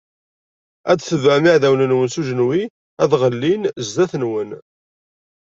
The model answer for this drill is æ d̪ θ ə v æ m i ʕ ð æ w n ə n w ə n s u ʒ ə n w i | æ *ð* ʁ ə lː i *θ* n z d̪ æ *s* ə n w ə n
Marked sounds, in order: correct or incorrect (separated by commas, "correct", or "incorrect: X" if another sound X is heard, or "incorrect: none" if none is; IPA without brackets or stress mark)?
correct, incorrect: none, incorrect: θ